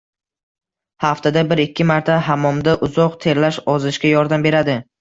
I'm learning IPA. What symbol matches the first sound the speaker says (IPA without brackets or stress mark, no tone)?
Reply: h